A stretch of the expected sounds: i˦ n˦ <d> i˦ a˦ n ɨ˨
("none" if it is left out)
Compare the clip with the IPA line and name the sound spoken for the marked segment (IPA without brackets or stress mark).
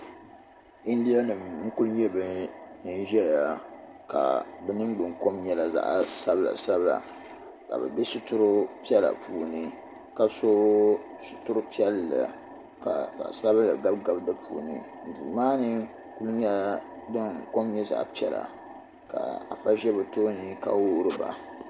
d